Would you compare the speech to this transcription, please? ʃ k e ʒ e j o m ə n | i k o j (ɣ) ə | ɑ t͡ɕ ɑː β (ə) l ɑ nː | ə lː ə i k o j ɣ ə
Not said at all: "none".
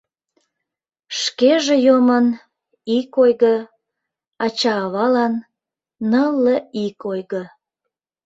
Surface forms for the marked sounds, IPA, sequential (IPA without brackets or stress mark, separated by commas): ɣ, ɑ